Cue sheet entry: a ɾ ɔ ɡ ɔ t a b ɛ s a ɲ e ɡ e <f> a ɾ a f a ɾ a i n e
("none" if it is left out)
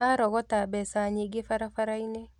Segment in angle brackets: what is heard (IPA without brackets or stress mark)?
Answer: f